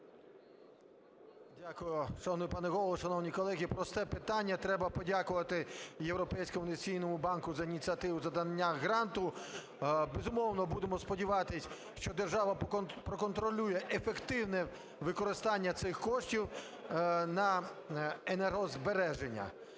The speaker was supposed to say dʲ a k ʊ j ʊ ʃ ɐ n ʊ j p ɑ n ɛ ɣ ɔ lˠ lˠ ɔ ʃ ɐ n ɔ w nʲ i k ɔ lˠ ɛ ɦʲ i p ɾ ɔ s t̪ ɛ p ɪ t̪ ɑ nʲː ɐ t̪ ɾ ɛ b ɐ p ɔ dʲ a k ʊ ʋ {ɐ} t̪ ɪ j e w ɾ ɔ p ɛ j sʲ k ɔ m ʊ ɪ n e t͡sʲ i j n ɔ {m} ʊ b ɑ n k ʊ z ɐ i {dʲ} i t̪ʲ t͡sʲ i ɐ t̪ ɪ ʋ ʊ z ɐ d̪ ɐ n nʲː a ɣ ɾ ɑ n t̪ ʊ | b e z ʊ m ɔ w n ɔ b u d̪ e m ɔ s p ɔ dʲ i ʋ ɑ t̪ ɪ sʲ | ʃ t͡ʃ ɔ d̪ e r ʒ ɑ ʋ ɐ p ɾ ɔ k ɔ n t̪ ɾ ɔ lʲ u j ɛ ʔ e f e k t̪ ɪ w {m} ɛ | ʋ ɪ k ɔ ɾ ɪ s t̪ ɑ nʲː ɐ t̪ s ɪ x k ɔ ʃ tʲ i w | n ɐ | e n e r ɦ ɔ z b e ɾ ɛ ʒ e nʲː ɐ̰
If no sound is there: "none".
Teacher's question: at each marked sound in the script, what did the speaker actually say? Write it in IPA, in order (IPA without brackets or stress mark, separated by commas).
ɐ, m, nʲ, n